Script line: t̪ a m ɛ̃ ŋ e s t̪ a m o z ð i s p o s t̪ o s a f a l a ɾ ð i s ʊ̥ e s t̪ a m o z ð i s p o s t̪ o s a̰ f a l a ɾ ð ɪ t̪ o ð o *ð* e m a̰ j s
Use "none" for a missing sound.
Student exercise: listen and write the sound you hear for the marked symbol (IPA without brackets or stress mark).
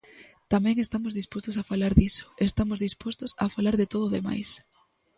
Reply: ð